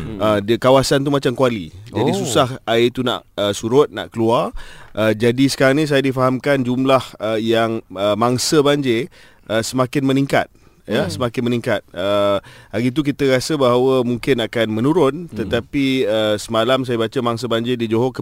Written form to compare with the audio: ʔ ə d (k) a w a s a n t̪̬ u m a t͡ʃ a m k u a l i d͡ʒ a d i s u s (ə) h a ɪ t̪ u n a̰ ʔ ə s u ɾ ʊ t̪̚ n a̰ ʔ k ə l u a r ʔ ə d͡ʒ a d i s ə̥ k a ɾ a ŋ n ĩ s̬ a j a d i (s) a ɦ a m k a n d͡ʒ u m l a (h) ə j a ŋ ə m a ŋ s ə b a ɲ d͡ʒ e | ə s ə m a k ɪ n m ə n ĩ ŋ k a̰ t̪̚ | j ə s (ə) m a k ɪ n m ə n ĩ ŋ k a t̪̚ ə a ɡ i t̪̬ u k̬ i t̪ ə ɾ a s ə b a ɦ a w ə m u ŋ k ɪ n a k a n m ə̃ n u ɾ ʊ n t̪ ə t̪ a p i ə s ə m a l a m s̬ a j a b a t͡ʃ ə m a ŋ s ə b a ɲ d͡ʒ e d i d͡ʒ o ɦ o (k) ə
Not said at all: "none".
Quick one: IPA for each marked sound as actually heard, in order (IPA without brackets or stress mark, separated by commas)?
k, a, f, h, ə, k